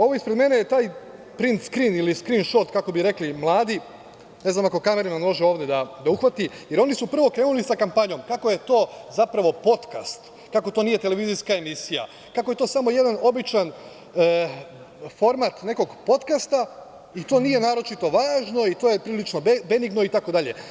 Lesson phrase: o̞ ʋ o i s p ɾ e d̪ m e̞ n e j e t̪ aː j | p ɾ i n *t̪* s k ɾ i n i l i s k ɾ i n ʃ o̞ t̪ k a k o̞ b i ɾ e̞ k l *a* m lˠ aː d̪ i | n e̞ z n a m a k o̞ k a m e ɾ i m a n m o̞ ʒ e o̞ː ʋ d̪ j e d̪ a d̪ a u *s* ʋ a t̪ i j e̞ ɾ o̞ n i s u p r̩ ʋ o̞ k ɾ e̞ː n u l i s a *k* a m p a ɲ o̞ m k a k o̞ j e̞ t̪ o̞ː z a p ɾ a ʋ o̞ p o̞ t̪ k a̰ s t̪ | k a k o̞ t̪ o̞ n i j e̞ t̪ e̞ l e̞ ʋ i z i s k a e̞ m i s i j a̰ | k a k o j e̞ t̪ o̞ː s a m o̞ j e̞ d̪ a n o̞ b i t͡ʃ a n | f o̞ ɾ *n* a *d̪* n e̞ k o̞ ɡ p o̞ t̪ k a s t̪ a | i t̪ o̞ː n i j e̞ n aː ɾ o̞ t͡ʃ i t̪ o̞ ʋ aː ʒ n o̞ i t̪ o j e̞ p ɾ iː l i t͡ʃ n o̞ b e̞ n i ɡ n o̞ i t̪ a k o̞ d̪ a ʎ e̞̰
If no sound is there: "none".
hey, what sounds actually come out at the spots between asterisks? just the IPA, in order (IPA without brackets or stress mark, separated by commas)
t̪, i, x, k, m, t̪